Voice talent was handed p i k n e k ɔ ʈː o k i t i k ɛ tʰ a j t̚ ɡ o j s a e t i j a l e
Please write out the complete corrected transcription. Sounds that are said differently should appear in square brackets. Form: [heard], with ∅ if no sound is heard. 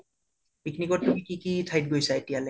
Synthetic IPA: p i k n [i] k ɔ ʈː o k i [k] i k [i] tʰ a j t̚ ɡ o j s a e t i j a l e